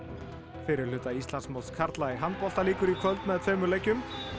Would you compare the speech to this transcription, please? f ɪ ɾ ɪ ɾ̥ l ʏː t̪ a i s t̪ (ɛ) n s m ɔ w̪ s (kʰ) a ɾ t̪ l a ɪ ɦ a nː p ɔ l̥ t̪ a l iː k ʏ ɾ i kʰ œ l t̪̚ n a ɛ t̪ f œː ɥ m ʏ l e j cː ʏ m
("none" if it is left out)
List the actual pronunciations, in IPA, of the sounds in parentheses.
a, kʰ

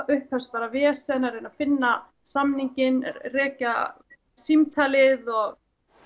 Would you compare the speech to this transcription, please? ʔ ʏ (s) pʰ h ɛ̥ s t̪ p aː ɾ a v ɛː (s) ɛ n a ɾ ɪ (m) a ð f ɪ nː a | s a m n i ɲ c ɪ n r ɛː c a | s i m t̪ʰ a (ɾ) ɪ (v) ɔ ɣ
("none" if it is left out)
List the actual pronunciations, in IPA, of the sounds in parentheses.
h, s, n, l, ð

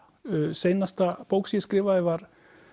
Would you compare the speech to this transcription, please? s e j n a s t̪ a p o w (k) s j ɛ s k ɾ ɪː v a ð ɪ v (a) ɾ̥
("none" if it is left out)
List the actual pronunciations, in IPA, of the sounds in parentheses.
k, a

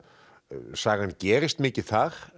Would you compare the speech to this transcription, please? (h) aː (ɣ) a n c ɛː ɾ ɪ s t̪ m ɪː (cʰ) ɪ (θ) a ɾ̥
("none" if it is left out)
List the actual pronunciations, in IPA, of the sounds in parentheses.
s, ɣ, c, θ

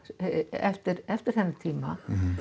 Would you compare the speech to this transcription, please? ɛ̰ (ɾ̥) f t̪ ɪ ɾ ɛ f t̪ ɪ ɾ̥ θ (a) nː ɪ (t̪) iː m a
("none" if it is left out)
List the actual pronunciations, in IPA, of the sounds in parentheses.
none, ɛ, t̪ʰ

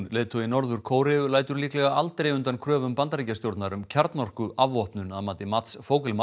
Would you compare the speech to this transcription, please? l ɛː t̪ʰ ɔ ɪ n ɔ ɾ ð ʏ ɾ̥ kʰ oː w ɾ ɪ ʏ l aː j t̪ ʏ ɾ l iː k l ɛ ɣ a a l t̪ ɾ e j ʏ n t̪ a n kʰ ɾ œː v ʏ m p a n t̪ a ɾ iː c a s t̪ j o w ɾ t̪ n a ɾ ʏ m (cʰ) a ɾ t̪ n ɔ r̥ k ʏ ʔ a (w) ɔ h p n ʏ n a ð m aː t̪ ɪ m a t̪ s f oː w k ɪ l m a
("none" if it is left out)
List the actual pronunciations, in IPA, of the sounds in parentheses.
cʰ, v

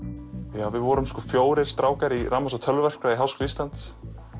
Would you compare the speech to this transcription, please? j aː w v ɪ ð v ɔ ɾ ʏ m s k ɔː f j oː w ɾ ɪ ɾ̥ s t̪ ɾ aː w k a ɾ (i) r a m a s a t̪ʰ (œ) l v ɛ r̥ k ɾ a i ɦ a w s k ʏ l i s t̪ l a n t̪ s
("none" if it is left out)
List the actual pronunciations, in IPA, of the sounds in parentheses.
i, œ

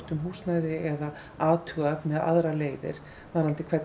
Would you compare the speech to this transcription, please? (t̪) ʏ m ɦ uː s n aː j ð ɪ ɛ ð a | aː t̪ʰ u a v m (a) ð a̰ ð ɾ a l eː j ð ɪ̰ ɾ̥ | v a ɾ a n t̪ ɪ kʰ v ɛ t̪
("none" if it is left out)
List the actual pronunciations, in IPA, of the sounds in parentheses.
t̪, ɛ

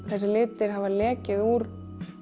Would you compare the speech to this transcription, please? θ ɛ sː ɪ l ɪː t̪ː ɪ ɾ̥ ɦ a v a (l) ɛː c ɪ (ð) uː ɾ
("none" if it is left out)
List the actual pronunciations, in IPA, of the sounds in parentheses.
l, ð

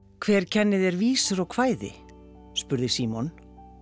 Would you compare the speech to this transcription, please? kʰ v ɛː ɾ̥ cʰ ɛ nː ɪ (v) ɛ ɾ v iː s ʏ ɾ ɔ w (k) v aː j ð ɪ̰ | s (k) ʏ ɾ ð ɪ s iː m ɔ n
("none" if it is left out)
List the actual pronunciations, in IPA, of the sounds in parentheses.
ð, kʰ, p

